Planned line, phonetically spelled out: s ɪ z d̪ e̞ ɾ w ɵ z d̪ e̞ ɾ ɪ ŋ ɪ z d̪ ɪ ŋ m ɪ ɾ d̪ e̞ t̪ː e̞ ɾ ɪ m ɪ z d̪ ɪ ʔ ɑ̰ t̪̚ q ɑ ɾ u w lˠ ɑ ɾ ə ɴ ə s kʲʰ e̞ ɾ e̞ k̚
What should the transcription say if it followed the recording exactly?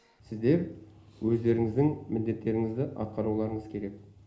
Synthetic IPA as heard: s ɪ z d̪ e̞ ɾ w ɵ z d̪ e̞ ɾ ɪ ŋ ɪ z d̪ ɪ ŋ m ɪ l d̪ e̞ t̪ː e̞ ɾ ɪ ŋ ɪ z d̪ ɪ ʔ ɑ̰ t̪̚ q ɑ ɾ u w lˠ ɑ ɾ ə ɴ ə z kʲʰ e̞ ɾ e̞ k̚